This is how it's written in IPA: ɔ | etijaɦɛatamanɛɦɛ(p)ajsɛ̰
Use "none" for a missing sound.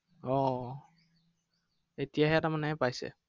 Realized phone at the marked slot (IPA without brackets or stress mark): p